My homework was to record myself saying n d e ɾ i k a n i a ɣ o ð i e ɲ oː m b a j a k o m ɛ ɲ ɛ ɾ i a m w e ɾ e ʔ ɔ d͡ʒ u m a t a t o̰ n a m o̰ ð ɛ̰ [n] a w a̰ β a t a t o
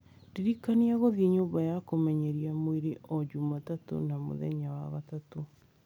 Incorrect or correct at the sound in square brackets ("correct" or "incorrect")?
incorrect